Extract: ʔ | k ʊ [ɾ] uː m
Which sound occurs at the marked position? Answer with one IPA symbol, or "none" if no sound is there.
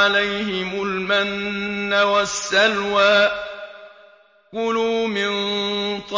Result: l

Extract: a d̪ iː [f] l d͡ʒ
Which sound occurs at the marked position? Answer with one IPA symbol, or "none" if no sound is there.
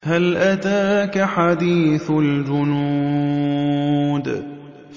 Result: θ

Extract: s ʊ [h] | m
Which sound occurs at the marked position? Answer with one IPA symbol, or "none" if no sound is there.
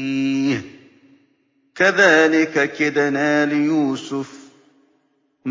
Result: f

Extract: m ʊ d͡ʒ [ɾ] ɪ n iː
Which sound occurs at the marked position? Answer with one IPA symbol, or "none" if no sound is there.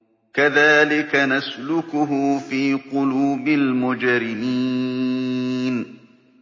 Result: ɾ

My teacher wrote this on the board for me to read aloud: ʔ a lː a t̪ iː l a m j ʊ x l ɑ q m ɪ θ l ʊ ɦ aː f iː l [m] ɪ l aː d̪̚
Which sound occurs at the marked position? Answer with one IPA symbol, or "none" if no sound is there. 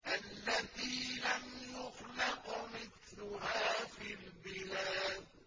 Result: b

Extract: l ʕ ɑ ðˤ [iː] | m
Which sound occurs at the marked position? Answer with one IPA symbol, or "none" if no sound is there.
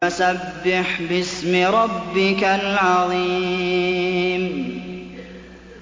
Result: iː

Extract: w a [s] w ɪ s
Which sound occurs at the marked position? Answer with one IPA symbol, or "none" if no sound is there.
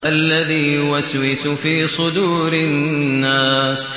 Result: s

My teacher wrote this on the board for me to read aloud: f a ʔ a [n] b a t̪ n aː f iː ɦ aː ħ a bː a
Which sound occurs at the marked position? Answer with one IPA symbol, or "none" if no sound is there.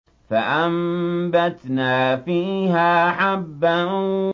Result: m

